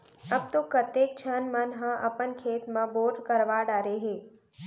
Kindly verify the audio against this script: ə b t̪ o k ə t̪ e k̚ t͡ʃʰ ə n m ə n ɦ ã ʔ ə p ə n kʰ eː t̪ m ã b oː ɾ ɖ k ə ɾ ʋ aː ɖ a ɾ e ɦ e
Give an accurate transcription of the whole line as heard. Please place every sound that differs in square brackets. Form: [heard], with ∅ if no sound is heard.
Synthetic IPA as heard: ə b t̪ o k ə t̪ e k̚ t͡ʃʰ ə n m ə n ɦ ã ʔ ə p ə n kʰ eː t̪ m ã b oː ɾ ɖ k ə ɾ ʋ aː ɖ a ɾ e ɦ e